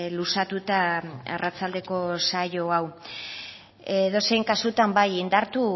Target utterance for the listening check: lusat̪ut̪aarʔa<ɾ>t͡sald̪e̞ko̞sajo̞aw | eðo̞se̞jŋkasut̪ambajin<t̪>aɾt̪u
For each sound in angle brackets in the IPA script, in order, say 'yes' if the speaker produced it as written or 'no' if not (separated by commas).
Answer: no, no